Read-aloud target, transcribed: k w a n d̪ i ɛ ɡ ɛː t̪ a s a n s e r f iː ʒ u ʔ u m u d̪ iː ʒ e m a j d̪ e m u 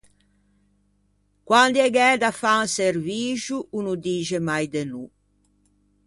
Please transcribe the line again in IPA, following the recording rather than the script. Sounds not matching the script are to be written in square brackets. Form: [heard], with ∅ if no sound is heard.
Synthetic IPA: k w a n d̪ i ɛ ɡ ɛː [d̪] a [f] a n s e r [v] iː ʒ u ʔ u [n] u d̪ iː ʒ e m a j d̪ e [n] u